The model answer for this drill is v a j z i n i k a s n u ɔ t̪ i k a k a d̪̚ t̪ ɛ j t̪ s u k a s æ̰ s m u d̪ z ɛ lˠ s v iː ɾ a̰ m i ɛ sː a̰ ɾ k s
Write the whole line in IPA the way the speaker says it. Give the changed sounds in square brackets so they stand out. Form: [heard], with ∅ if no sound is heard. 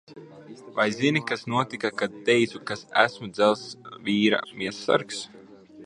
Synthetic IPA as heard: v a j z i n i k a s n u ɔ t̪ i k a k a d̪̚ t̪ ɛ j t̪ s u k a s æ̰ s m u d̪ z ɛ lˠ s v iː ɾ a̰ m i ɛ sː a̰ ɾ k s